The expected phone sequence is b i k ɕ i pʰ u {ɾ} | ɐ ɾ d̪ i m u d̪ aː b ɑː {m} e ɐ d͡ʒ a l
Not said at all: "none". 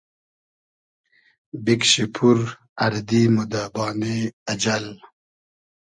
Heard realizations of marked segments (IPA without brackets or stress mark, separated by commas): ɾ, n